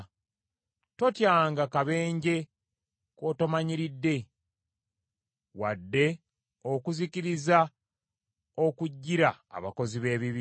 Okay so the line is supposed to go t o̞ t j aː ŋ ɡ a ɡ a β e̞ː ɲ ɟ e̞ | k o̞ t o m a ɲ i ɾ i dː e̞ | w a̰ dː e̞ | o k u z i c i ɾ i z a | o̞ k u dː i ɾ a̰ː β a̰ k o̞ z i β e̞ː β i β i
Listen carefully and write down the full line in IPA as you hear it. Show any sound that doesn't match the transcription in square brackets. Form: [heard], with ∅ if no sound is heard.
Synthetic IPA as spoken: t o̞ t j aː ŋ ɡ a [k] a β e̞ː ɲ ɟ e̞ | k o̞ t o m a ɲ i ɾ i dː e̞ | w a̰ dː e̞ | o k u z i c i ɾ i z a | o̞ k u [ɟː] i ɾ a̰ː β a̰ k o̞ z i β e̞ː β i β i